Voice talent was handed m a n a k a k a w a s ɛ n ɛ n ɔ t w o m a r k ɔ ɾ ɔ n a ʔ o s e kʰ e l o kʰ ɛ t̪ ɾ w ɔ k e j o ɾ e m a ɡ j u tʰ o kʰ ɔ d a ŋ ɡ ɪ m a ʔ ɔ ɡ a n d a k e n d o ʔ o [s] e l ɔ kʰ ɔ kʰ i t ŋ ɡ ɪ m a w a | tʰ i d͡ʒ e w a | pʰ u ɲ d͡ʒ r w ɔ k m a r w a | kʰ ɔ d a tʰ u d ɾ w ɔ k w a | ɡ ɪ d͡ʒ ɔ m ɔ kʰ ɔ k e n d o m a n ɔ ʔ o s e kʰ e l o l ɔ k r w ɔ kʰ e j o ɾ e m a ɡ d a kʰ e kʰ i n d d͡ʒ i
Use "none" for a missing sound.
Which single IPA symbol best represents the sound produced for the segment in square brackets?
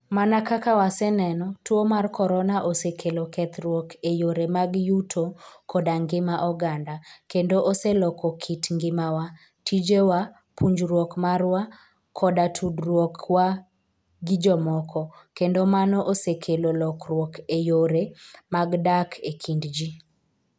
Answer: s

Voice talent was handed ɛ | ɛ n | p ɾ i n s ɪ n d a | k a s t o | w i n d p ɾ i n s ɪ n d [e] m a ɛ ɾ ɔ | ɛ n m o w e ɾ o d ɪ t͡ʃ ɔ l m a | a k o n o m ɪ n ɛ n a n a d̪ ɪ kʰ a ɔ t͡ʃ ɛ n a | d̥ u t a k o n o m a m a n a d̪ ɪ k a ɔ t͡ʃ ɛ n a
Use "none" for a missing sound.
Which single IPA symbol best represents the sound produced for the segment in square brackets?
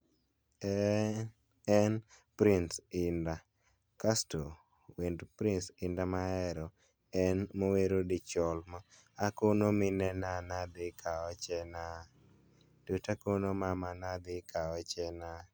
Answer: a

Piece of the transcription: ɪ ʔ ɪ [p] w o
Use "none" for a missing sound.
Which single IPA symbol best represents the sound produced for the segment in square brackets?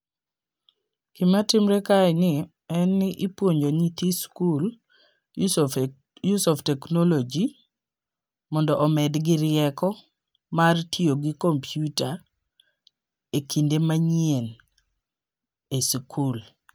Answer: p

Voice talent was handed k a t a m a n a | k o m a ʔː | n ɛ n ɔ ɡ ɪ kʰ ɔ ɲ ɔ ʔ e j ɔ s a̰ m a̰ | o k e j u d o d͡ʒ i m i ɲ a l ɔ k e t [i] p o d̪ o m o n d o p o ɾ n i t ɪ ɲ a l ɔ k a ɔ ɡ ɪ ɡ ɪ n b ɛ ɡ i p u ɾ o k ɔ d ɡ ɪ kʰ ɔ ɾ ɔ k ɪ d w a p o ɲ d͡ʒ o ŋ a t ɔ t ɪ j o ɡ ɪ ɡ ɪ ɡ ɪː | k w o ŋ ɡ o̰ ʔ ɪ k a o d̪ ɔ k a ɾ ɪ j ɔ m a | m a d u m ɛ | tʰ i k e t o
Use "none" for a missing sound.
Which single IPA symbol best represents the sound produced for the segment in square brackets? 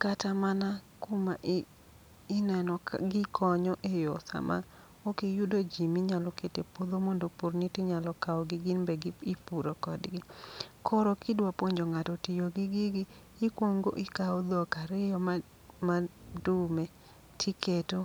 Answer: e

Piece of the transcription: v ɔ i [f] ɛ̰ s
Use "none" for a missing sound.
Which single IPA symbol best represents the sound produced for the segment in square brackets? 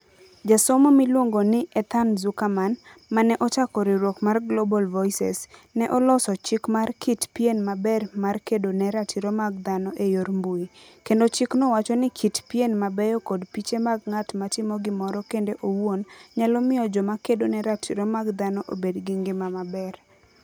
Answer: s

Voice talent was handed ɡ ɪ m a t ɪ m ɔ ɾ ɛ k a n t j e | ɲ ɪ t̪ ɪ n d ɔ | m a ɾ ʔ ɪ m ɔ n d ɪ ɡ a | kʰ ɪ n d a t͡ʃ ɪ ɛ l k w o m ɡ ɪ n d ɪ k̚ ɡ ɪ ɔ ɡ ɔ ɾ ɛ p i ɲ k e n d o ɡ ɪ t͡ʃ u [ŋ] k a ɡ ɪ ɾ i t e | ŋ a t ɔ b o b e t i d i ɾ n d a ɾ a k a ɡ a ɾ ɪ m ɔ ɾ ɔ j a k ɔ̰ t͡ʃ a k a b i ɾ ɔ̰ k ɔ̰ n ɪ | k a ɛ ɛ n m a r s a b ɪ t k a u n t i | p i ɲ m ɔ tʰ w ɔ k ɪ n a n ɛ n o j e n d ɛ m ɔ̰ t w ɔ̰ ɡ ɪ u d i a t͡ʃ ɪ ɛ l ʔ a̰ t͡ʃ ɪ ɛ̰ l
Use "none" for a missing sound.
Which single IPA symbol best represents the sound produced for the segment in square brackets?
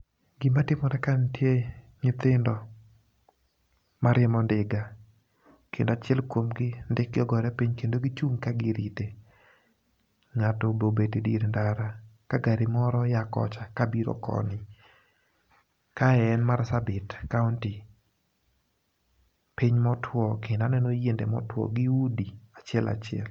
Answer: ŋ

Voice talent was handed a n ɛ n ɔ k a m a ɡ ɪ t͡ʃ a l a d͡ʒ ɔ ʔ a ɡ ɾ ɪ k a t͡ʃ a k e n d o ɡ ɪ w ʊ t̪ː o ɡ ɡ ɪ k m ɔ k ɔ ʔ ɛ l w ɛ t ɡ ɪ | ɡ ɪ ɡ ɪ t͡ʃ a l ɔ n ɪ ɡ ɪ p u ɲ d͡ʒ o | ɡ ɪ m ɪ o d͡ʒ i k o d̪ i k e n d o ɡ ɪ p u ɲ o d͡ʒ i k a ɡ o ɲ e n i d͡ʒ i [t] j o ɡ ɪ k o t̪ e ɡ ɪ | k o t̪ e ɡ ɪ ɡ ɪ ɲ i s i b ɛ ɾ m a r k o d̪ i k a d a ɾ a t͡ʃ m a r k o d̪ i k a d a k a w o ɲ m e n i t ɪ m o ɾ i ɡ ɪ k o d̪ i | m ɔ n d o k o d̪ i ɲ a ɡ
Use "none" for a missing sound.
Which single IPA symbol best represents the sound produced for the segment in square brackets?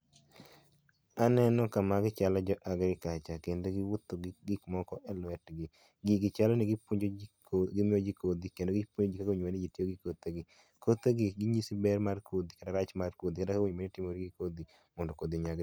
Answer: t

